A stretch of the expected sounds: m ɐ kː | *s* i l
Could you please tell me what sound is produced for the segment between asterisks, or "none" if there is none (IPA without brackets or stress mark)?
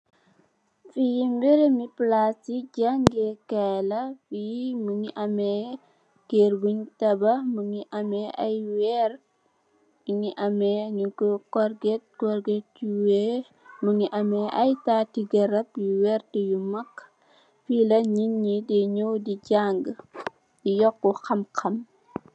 f